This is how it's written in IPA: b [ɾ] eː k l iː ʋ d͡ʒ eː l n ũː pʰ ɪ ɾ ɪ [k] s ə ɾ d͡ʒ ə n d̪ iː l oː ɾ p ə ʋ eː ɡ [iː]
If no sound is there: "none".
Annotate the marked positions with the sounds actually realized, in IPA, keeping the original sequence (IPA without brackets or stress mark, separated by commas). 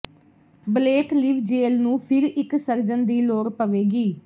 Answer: l, k, iː